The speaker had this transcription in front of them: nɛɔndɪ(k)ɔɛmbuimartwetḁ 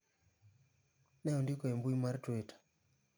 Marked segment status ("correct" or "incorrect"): correct